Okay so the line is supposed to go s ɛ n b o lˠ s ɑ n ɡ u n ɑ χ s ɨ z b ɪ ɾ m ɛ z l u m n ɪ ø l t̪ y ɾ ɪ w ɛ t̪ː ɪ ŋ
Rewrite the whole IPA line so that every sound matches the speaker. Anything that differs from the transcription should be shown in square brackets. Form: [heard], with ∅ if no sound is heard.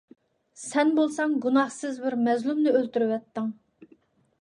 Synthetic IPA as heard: s ɛ n b o lˠ s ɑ [ŋ] ɡ u n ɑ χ s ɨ z b ɪ ɾ m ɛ z l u m n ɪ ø l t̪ y ɾ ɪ w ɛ t̪ː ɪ ŋ

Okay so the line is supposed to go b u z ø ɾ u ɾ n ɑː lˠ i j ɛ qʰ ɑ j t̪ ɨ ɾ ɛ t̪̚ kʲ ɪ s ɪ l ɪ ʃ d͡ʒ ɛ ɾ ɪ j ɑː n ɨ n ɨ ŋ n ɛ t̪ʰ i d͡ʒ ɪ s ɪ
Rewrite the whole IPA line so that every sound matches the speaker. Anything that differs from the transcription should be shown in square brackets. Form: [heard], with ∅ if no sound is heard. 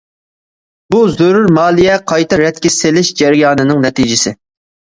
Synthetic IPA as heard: b u z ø ɾ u ɾ [m] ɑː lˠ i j ɛ qʰ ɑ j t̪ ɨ ɾ ɛ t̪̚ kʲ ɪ s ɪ l ɪ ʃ d͡ʒ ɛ ɾ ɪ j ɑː n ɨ n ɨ ŋ n ɛ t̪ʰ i d͡ʒ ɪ s ɪ

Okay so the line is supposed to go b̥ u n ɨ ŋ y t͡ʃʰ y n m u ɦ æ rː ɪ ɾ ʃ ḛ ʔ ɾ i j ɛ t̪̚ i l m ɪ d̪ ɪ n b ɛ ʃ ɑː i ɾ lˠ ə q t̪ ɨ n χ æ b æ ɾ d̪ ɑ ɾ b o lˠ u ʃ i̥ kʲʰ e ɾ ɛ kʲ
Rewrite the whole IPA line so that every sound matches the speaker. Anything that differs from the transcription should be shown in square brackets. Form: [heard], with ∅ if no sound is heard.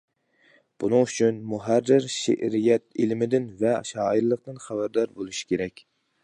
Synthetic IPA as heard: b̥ u n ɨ ŋ y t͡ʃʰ y n m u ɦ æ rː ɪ ɾ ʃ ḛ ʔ ɾ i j ɛ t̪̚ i l m ɪ d̪ ɪ n [v] ɛ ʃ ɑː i ɾ lˠ ə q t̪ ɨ n χ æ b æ ɾ d̪ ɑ ɾ b o lˠ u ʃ i̥ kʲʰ e ɾ ɛ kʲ

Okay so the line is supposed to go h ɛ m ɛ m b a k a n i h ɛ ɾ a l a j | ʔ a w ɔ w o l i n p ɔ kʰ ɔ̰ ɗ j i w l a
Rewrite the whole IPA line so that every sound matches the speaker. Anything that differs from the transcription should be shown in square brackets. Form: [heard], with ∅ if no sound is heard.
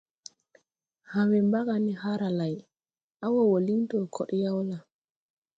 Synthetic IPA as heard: h [a] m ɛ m b a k a n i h [a] ɾ a l a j | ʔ a w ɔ w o l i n [t] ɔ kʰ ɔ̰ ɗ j [a] w l a

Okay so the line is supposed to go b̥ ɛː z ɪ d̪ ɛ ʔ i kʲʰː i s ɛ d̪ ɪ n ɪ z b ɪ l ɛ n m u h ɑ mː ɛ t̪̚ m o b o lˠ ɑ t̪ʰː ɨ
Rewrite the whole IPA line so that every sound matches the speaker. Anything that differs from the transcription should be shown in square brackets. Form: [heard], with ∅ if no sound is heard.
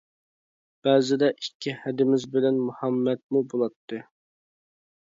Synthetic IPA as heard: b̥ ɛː z ɪ d̪ ɛ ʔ i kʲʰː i [h] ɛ d̪ ɪ [m] ɪ z b ɪ l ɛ n m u h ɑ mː ɛ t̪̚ m [u] b o lˠ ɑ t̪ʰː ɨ

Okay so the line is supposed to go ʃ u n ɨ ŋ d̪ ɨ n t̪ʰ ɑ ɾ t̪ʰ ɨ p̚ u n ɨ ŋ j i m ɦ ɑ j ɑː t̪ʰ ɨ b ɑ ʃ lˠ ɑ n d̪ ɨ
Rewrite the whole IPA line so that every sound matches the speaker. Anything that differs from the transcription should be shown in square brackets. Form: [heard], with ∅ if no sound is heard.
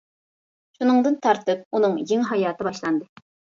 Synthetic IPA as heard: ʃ u n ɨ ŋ d̪ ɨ n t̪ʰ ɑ ɾ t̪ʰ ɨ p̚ u n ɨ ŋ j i [ŋ] ɦ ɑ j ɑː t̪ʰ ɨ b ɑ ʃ lˠ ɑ n d̪ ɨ

